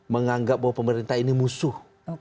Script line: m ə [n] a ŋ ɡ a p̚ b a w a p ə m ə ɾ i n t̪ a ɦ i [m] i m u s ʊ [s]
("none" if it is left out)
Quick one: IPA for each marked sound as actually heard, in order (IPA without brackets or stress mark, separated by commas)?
ŋ, n, h